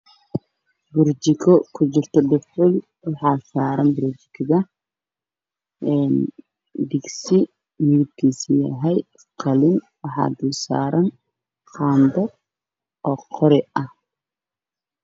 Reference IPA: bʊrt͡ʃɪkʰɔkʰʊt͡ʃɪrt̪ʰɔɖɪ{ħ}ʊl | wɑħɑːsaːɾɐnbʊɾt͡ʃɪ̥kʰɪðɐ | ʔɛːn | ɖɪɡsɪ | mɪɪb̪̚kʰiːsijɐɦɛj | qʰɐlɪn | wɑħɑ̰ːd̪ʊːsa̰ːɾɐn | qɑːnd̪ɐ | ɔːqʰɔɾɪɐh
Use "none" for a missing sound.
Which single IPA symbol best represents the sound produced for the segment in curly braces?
f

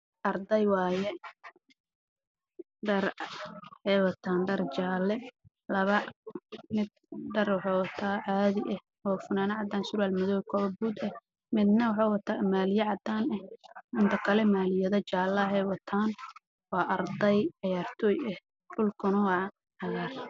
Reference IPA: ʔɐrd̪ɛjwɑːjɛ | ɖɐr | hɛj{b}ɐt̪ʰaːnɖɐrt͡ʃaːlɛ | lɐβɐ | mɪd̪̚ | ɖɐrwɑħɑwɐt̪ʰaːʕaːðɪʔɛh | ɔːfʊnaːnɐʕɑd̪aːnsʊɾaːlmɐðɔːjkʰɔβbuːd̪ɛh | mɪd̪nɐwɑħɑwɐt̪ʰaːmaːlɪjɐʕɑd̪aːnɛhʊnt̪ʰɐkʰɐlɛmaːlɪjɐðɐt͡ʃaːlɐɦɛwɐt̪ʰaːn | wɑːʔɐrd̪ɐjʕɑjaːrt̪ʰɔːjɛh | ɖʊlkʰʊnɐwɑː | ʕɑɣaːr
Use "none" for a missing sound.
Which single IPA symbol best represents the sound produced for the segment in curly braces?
w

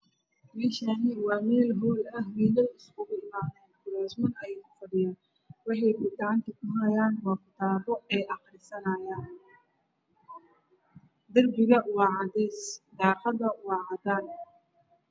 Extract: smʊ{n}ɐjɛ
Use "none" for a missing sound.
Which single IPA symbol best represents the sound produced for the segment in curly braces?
n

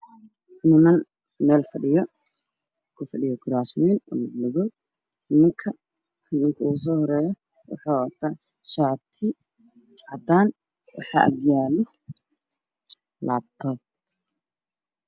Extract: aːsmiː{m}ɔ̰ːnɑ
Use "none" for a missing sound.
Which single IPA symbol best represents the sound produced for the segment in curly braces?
n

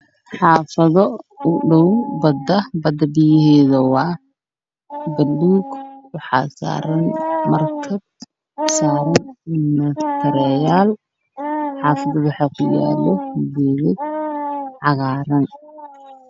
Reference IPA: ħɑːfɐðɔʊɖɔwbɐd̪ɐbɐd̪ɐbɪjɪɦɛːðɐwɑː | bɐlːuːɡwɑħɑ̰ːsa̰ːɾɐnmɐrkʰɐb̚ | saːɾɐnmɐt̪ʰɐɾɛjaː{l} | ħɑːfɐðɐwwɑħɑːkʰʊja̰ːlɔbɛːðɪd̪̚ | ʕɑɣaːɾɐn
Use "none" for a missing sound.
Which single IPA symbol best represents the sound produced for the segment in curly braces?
l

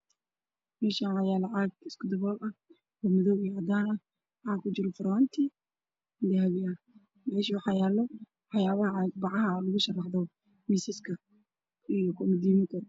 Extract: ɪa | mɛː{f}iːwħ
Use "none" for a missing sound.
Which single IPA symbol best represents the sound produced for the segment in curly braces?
ʃ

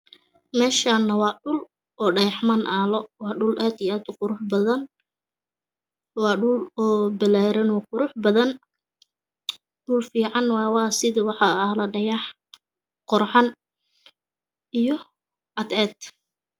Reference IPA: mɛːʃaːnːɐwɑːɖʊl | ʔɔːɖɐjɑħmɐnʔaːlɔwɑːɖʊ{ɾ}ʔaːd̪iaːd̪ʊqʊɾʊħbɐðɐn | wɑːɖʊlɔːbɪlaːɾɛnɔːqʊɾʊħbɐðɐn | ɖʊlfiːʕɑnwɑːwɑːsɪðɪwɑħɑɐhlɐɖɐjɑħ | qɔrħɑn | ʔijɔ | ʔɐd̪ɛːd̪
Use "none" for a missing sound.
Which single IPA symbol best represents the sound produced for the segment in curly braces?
l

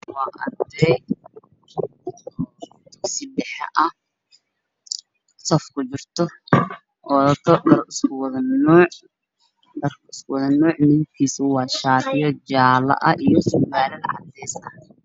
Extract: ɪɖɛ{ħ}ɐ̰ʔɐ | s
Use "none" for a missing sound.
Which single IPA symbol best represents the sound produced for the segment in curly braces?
ħ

